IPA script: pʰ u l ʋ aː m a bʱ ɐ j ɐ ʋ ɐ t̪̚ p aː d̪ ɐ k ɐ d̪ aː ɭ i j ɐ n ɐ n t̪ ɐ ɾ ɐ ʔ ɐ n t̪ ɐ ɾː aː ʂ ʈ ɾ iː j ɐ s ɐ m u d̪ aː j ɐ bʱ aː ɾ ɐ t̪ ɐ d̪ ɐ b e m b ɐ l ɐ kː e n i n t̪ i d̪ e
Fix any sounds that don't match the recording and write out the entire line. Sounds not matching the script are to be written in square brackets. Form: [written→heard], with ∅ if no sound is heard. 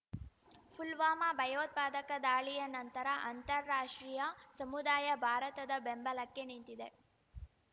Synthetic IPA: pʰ u l ʋ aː m a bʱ ɐ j ɐ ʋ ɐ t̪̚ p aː d̪ ɐ k ɐ d̪ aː ɭ i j ɐ n ɐ n t̪ ɐ ɾ ɐ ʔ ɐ n t̪ ɐ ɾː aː ʂ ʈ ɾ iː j ɐ s ɐ m u d̪ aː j ɐ bʱ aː ɾ ɐ t̪ ɐ d̪ ɐ b e m b ɐ l ɐ kː e n i n t̪ i d̪ e

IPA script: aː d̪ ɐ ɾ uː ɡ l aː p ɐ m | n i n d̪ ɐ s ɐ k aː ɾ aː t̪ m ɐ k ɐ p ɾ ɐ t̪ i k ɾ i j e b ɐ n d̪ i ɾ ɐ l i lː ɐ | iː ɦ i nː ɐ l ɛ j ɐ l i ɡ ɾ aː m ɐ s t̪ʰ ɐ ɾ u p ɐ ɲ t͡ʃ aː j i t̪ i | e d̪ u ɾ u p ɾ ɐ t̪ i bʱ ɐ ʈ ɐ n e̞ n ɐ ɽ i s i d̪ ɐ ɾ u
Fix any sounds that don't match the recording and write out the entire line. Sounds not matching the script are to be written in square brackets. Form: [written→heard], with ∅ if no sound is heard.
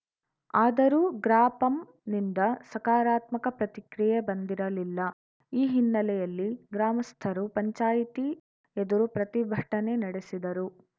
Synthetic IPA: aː d̪ ɐ ɾ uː ɡ [l→ɾ] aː p ɐ m | n i n d̪ ɐ s ɐ k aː ɾ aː t̪ m ɐ k ɐ p ɾ ɐ t̪ i k ɾ i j e b ɐ n d̪ i ɾ ɐ l i lː ɐ | iː ɦ i nː ɐ l ɛ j ɐ [l→lː] i ɡ ɾ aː m ɐ s t̪ʰ ɐ ɾ u p ɐ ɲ t͡ʃ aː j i t̪ i | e d̪ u ɾ u p ɾ ɐ t̪ i bʱ ɐ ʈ ɐ n e̞ n ɐ ɽ [i→e] s i d̪ ɐ ɾ u

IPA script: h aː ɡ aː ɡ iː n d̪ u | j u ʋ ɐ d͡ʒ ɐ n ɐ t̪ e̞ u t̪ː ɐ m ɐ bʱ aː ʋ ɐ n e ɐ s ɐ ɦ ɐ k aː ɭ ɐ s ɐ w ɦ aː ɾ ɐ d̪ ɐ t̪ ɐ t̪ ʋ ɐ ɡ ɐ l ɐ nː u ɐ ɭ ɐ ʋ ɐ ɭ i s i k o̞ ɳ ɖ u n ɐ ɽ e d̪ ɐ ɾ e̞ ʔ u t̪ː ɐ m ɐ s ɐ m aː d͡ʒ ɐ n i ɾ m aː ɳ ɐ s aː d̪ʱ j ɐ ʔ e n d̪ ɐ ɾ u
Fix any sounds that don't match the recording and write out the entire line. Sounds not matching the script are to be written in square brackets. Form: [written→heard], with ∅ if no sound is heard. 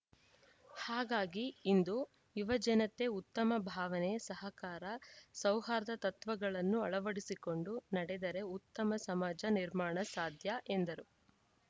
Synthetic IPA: h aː ɡ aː ɡ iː n d̪ u | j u ʋ ɐ d͡ʒ ɐ n ɐ t̪ e̞ u t̪ː ɐ m ɐ bʱ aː ʋ ɐ n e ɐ s ɐ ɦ ɐ k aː [ɭ→ɾ] ɐ s ɐ w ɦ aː ɾ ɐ d̪ ɐ t̪ ɐ t̪ ʋ ɐ ɡ ɐ [l→ɭ] ɐ nː u ɐ ɭ ɐ ʋ ɐ [ɭ→ɽ] i s i k o̞ ɳ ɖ u n ɐ ɽ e d̪ ɐ ɾ e̞ [ʔ→∅] u t̪ː ɐ m ɐ s ɐ m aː d͡ʒ ɐ n i ɾ m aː ɳ ɐ s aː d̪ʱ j ɐ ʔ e n d̪ ɐ ɾ u

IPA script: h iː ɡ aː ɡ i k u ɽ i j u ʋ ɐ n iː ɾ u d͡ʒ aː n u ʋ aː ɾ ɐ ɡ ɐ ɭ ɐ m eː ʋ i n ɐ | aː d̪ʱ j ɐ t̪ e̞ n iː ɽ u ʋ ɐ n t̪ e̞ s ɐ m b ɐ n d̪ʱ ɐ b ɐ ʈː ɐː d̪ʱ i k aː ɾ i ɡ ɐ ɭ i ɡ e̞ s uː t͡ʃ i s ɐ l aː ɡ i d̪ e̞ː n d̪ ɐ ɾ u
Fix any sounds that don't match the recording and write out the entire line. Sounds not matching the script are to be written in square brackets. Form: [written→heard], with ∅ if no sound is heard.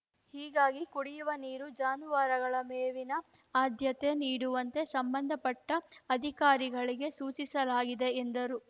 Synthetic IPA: h iː ɡ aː ɡ i k u ɽ i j u ʋ ɐ n iː ɾ u d͡ʒ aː n u ʋ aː ɾ ɐ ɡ ɐ ɭ ɐ m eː ʋ i n ɐ | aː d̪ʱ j ɐ t̪ e̞ n iː ɽ u ʋ ɐ n t̪ e̞ s ɐ m b ɐ n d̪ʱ ɐ [b→p] ɐ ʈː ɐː d̪ʱ i k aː ɾ i ɡ ɐ ɭ i ɡ e̞ s uː t͡ʃ i s ɐ l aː ɡ i d̪ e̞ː n d̪ ɐ ɾ u

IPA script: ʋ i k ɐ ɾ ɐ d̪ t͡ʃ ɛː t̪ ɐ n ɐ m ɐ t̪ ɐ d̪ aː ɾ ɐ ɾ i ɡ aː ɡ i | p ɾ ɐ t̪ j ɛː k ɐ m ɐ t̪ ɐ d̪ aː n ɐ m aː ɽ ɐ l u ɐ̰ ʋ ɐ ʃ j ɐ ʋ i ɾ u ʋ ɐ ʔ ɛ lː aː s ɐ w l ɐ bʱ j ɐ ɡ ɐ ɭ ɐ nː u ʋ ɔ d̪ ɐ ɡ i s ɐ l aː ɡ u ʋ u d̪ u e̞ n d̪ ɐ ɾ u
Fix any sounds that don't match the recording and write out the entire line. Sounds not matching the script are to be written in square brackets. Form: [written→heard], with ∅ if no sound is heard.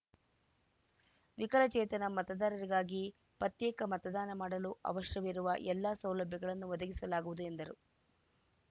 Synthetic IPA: ʋ i k ɐ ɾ ɐ [d̪→∅] t͡ʃ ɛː t̪ ɐ n ɐ m ɐ t̪ ɐ d̪ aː ɾ ɐ ɾ i ɡ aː ɡ i | p ɾ ɐ t̪ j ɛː k ɐ m ɐ t̪ ɐ d̪ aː n ɐ m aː ɽ ɐ l u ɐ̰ ʋ ɐ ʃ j ɐ ʋ i ɾ u ʋ ɐ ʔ ɛ lː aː s ɐ w l ɐ bʱ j ɐ ɡ ɐ ɭ ɐ nː u ʋ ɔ d̪ ɐ ɡ i s ɐ l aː ɡ u ʋ u d̪ u e̞ n d̪ ɐ ɾ u

